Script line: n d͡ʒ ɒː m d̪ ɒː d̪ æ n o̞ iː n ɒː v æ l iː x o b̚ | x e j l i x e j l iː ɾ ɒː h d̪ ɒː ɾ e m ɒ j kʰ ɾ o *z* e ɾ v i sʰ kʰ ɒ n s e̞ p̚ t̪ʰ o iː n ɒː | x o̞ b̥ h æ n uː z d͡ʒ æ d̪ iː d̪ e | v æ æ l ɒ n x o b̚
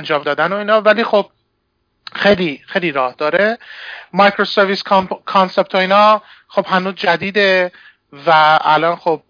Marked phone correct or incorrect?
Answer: incorrect